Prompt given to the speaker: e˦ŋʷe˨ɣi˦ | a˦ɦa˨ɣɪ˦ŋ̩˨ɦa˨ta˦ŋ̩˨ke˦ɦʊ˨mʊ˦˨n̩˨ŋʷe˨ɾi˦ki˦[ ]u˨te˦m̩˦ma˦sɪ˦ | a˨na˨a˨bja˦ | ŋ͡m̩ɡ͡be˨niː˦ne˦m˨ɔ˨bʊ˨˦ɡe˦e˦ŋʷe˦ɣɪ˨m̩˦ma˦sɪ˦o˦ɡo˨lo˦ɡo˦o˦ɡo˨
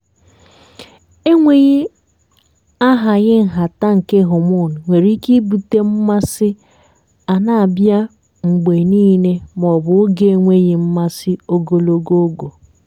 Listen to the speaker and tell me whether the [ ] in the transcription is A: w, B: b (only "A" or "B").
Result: B